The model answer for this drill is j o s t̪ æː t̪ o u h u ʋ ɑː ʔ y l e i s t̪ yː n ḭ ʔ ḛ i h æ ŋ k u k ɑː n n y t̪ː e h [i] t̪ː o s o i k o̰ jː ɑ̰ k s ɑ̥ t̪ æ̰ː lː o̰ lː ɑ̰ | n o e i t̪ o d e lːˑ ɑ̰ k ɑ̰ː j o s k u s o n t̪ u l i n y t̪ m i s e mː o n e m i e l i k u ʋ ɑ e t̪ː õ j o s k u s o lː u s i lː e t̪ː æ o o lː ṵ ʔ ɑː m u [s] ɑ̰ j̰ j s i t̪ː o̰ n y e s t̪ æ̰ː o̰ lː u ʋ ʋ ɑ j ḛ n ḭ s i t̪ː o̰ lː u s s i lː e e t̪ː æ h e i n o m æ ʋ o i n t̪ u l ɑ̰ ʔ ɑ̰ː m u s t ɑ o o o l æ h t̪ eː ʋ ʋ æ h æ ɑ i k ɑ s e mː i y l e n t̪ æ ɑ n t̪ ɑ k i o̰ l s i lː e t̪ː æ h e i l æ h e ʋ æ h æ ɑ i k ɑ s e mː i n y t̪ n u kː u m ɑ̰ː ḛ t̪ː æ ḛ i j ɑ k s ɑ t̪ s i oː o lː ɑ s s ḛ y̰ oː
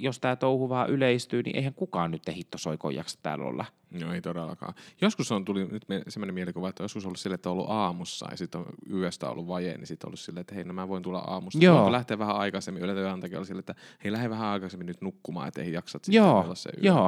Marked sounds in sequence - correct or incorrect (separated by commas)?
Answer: correct, incorrect